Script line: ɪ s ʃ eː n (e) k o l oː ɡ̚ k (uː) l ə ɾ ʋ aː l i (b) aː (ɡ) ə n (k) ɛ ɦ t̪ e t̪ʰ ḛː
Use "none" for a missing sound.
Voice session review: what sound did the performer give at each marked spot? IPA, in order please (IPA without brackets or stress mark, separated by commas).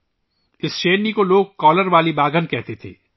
i, ɔː, b, ɡ, k